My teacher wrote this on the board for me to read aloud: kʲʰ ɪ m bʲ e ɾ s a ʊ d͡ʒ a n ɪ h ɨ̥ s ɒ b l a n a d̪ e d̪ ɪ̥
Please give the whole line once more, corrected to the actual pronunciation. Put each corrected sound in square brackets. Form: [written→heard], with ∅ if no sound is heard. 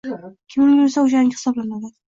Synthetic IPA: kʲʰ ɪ m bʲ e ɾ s a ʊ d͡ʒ a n ɪ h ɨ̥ s ɒ b l a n a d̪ [e→a] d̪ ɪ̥